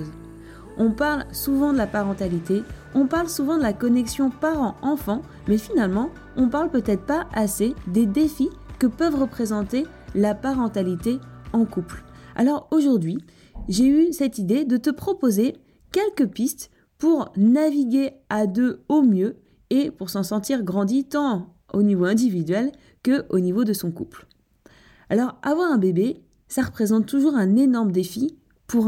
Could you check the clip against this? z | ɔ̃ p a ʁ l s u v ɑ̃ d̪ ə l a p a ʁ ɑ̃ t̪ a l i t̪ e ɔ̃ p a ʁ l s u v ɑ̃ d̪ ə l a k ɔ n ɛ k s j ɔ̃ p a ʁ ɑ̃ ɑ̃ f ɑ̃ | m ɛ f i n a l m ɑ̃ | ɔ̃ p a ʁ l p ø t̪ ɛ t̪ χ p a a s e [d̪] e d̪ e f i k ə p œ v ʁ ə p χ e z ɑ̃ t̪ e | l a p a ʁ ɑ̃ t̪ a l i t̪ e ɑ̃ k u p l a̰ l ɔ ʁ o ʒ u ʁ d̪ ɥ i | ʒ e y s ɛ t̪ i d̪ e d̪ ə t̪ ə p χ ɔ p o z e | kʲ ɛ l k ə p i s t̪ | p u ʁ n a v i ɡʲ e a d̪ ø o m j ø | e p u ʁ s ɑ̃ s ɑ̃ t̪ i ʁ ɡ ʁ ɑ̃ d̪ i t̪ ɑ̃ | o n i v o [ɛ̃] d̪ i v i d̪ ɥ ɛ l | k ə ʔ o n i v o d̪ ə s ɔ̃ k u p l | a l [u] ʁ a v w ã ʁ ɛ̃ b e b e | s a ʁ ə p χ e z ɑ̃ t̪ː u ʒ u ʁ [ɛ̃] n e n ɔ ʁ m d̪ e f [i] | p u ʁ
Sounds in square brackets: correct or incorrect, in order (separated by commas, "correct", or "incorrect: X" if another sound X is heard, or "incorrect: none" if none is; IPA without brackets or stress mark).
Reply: correct, correct, incorrect: ɔ, correct, correct